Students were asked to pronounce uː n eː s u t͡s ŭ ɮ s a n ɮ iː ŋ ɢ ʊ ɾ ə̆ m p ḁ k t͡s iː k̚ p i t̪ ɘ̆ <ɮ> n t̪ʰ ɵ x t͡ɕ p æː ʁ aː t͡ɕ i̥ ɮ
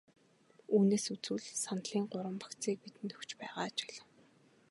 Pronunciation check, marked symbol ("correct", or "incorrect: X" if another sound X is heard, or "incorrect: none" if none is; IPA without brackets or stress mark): incorrect: none